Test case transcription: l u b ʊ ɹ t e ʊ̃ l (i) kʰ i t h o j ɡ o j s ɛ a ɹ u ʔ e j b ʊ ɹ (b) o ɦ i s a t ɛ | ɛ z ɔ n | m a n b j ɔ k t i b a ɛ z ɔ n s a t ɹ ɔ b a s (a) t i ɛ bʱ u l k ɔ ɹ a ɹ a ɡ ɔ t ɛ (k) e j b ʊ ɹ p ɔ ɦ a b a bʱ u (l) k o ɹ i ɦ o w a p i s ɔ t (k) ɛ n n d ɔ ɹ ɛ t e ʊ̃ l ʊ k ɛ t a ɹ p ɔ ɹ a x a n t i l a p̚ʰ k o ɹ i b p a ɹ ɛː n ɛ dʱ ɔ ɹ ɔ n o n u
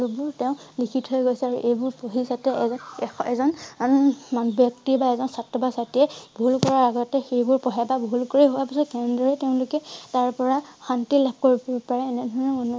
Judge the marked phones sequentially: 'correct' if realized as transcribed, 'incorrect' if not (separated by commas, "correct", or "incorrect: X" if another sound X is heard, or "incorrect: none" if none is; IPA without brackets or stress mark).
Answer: correct, incorrect: p, correct, incorrect: x, correct, correct